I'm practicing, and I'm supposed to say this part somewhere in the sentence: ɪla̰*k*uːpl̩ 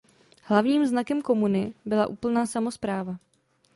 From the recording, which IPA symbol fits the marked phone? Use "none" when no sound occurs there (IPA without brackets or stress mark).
ʔ